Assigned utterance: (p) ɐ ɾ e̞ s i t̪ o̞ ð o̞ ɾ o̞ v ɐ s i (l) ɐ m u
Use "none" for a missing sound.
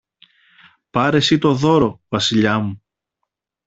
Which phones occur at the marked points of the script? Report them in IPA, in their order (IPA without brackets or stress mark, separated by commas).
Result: p, ʎ